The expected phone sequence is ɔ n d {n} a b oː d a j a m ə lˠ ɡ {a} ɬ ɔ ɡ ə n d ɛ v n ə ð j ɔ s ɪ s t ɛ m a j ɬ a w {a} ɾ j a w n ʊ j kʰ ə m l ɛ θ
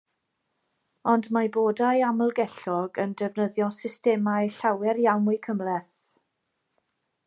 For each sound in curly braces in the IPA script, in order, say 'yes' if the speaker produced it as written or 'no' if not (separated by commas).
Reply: no, no, no